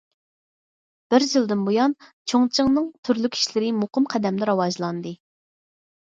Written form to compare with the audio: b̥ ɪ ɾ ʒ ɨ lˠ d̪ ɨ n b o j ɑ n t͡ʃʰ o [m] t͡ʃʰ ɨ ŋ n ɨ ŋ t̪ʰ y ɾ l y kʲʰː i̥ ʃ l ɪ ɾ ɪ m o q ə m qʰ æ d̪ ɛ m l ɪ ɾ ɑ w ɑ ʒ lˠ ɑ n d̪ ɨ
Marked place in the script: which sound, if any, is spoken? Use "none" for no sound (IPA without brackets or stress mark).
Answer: ŋ